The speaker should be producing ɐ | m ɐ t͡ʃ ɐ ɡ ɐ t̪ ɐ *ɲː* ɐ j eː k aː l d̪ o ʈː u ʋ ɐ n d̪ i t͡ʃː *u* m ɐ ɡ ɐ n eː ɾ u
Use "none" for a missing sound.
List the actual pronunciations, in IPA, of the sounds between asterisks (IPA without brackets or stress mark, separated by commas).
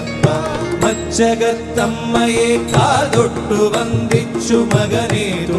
mː, u